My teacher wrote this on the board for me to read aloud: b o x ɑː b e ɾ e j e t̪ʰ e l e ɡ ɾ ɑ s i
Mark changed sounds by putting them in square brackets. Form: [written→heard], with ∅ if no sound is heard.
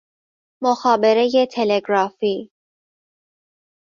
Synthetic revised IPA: [b→m] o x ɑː b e ɾ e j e t̪ʰ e l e ɡ ɾ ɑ [s→f] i

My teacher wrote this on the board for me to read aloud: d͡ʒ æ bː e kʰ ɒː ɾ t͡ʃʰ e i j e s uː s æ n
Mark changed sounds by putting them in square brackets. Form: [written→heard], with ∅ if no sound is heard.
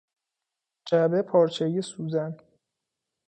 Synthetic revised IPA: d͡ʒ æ [bː→b] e [kʰ→pʰ] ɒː ɾ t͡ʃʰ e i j e s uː [s→z] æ n

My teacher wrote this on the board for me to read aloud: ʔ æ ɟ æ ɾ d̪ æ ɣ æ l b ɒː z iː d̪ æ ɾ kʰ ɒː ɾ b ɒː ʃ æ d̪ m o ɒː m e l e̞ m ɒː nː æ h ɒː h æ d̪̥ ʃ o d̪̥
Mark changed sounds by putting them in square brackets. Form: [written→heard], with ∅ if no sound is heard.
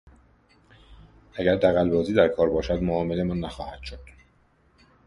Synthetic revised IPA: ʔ æ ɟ æ ɾ d̪ æ ɣ æ l b ɒː z iː d̪ æ ɾ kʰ ɒː ɾ b ɒː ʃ æ d̪ m o ɒː m e l e̞ m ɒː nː æ [h→x] ɒː h æ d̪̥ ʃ o d̪̥

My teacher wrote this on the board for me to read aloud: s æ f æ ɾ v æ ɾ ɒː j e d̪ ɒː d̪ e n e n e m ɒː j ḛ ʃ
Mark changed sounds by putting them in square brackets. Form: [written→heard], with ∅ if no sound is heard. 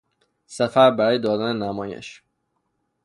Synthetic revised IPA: s æ f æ ɾ [v→b] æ ɾ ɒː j e d̪ ɒː d̪ [e→æ] n e n [e→æ] m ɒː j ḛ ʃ

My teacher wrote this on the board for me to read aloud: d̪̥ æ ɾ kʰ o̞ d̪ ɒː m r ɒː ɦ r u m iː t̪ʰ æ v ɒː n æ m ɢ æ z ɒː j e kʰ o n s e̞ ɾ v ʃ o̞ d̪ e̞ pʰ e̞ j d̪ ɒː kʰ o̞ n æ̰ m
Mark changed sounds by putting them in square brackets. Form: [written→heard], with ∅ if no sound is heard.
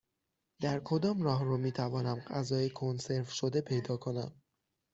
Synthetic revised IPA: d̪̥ æ ɾ kʰ o̞ d̪ ɒː m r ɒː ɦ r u m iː t̪ʰ æ v ɒː n æ m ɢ æ z ɒː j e kʰ o n s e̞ ɾ v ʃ o̞ d̪ e̞ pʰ e̞ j d̪ ɒː kʰ o̞ n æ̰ m

